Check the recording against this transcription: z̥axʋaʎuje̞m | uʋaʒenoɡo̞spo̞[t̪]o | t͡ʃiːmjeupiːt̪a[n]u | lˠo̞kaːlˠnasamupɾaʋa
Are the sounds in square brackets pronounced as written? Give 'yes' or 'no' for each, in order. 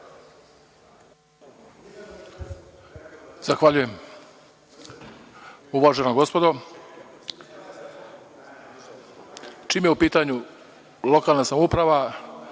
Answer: no, no

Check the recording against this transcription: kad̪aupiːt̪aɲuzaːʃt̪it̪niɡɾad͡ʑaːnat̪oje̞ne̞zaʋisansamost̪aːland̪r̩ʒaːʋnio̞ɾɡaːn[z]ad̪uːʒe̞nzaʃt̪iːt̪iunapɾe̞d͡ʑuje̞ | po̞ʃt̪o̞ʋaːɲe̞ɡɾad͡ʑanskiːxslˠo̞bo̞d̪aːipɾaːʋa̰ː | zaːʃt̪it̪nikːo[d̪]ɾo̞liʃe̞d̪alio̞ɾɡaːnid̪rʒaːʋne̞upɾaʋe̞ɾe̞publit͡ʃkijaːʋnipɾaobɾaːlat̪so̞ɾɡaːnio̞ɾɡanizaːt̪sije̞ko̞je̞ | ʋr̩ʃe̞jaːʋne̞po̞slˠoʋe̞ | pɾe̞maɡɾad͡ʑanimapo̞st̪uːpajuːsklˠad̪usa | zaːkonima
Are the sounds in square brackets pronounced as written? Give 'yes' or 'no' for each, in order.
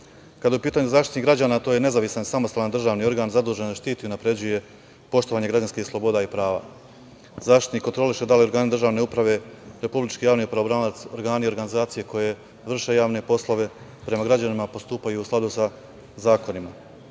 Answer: yes, no

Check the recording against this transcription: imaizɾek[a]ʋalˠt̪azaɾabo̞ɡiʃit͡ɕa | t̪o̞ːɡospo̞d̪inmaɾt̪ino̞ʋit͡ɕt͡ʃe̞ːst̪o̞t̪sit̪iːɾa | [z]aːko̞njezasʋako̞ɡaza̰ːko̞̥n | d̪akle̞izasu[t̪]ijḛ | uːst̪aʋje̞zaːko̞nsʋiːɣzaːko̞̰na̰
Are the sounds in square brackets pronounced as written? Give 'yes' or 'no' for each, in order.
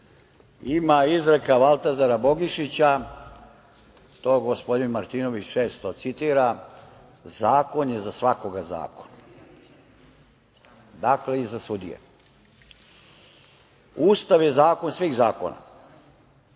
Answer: yes, yes, no

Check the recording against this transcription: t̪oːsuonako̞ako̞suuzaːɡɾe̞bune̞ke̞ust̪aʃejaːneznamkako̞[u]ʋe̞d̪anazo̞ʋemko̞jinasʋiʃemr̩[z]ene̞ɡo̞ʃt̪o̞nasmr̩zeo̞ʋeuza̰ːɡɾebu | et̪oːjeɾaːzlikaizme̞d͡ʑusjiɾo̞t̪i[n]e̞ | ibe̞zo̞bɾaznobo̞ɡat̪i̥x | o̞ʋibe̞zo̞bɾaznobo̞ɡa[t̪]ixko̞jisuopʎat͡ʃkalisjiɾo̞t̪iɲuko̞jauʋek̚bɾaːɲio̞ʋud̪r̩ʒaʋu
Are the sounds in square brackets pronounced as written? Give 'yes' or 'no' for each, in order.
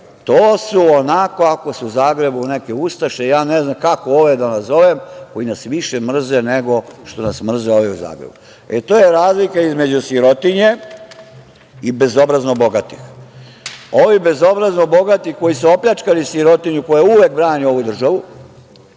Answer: no, yes, no, yes

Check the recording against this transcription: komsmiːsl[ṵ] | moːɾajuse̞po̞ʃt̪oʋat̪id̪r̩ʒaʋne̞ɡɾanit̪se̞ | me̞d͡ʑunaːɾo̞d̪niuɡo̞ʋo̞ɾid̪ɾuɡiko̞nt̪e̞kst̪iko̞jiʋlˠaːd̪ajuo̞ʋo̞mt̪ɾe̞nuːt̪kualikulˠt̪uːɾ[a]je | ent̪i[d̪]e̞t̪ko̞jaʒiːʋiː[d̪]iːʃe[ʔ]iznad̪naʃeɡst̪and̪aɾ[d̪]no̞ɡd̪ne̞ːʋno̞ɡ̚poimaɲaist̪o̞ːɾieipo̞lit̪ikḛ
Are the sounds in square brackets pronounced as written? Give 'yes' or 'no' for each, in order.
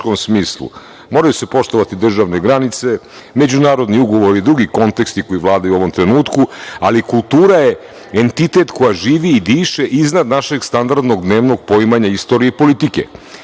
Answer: yes, yes, no, yes, yes, yes

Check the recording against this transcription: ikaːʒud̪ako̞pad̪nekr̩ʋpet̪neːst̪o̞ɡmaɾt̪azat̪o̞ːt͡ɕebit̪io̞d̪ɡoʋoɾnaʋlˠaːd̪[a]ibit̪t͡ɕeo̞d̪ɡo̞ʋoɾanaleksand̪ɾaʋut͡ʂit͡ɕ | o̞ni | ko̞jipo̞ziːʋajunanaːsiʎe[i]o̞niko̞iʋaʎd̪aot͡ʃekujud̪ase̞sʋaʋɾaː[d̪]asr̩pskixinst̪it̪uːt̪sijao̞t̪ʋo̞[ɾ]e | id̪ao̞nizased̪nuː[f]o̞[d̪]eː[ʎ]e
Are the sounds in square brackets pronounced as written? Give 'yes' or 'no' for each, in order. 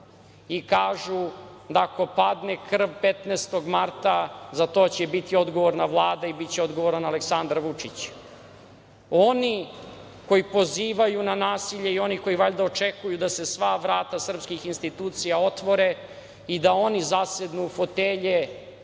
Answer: yes, yes, no, yes, yes, no, yes

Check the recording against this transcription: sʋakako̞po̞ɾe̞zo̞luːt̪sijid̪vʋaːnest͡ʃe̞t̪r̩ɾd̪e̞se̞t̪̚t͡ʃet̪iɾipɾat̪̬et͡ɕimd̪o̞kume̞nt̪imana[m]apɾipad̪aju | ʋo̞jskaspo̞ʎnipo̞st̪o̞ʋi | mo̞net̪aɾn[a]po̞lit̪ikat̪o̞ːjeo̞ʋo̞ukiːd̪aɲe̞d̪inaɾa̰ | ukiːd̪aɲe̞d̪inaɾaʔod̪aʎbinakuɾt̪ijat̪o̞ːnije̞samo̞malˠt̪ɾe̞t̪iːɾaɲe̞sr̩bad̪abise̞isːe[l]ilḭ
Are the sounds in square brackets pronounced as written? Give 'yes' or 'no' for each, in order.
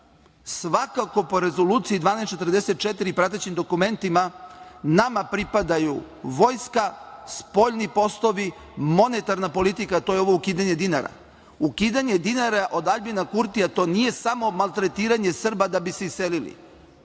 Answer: yes, yes, yes

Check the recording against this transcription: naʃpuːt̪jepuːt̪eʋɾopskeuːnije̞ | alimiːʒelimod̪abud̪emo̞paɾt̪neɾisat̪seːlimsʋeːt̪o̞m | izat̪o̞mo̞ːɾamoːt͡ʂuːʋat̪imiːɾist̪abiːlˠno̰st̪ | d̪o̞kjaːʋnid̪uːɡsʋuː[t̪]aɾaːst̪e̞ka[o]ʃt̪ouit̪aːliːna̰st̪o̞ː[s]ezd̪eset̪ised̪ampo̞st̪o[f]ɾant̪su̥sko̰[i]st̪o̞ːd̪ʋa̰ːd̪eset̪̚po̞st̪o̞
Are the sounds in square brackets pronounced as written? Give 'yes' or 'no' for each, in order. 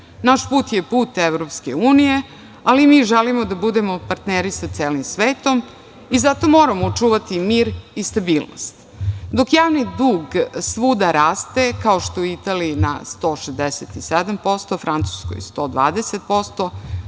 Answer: no, yes, no, yes, no

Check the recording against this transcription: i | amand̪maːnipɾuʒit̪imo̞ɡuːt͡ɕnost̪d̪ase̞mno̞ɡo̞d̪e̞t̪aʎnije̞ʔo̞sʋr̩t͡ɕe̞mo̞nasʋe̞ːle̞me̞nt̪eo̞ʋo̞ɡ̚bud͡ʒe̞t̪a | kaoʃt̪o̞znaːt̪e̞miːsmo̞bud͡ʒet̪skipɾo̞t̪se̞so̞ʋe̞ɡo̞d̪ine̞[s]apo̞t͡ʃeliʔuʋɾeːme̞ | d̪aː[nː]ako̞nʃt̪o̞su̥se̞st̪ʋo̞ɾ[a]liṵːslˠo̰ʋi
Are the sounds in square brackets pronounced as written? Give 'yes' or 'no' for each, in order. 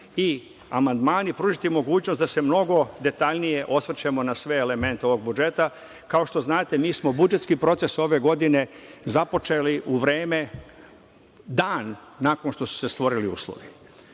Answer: no, yes, no

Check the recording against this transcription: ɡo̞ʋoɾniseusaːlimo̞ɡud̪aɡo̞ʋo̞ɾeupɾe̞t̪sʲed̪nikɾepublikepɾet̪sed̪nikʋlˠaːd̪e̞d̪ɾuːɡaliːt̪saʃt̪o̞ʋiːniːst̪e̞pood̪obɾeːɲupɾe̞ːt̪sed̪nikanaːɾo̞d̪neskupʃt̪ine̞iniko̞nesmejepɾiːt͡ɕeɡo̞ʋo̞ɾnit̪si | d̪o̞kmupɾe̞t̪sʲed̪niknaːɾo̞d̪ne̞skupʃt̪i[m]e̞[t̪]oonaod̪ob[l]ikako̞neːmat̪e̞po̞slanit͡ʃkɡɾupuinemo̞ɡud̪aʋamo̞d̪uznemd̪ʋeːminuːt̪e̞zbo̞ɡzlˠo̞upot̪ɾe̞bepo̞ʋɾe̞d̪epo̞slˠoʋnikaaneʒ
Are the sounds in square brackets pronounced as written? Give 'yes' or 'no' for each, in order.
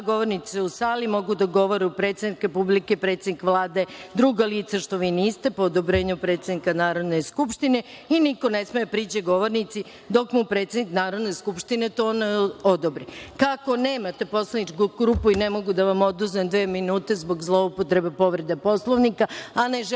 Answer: no, yes, no

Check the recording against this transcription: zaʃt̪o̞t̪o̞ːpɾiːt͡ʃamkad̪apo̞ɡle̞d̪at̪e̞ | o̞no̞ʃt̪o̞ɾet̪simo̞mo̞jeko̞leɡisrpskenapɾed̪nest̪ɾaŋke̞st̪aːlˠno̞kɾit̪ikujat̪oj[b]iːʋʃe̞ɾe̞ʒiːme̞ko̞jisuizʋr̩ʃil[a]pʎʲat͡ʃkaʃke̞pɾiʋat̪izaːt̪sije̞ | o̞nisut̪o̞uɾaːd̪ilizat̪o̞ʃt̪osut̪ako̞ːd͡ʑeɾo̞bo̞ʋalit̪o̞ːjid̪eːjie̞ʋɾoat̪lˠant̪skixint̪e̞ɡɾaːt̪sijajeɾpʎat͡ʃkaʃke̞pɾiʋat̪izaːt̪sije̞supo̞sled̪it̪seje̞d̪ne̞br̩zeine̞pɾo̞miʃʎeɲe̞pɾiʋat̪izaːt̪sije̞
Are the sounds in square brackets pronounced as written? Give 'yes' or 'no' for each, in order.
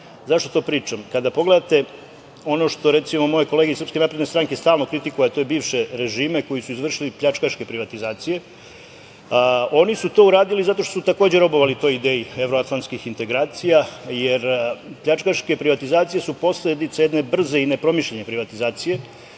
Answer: yes, no

